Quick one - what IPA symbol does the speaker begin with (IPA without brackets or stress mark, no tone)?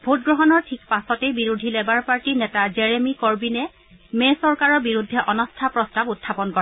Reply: bʱ